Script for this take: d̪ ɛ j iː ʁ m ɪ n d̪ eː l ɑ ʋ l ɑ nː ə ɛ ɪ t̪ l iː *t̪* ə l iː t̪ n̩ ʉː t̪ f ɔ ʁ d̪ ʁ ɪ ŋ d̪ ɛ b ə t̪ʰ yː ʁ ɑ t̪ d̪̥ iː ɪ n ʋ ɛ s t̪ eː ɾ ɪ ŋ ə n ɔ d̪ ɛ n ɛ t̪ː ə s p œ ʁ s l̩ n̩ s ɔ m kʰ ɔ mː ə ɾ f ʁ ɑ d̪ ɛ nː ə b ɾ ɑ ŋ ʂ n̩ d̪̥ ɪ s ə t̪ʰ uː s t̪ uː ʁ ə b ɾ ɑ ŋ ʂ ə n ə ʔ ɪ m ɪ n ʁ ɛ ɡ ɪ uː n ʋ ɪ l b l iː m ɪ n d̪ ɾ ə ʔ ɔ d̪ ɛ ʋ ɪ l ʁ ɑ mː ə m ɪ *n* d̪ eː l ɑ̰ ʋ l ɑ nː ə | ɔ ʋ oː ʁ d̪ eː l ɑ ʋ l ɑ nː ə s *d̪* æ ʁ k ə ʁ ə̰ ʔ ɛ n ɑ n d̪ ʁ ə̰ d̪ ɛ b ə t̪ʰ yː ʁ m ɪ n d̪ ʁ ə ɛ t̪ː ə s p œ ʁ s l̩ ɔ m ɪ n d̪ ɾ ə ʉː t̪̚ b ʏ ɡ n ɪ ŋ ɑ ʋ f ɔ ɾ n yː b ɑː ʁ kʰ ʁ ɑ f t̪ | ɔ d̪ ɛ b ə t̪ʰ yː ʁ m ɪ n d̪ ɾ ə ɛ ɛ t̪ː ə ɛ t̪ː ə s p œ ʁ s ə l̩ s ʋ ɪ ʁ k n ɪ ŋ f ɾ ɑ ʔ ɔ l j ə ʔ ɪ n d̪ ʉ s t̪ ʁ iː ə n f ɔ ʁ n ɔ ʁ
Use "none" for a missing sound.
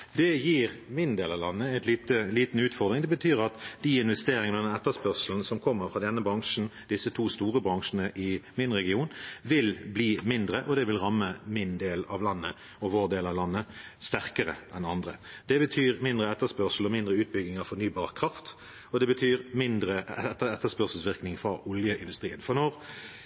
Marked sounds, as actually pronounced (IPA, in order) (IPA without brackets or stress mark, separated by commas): t̪, n, t̪